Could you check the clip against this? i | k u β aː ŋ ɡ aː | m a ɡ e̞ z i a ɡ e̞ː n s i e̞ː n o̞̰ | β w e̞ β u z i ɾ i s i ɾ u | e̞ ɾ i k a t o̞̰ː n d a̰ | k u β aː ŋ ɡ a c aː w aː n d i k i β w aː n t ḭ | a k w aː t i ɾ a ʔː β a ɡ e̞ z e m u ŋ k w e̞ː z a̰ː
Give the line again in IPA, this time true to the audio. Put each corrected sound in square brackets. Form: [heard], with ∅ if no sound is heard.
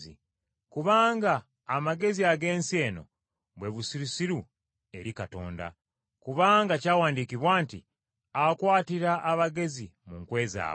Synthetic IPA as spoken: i | k u β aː ŋ ɡ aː | m a ɡ e̞ z i a ɡ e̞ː n s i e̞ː n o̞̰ | β w e̞ β u [s] i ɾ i s i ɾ u | e̞ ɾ i k a t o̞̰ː n d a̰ | k u β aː ŋ ɡ a c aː w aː n d i k i β w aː n t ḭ | a k w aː t i ɾ a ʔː β a ɡ e̞ z [i] m u ŋ k w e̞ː z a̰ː